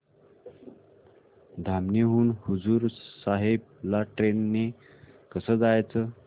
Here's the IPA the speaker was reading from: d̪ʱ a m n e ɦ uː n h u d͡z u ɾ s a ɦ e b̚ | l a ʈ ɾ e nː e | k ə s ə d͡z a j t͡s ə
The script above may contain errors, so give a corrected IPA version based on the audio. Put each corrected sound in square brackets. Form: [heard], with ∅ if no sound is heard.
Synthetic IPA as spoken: d̪ʱ a m n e ɦ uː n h u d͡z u ɾ s a ɦ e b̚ | l a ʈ ɾ e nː e | k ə s ə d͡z a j t͡s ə